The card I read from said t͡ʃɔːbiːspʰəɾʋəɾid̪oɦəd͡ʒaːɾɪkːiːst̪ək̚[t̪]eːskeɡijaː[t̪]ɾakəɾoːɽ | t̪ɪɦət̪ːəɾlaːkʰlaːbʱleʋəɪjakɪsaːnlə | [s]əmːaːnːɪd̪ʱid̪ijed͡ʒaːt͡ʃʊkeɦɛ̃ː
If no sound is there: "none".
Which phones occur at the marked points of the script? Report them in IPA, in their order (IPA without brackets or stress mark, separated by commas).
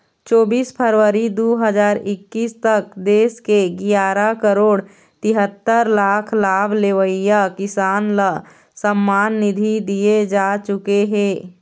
d̪, none, s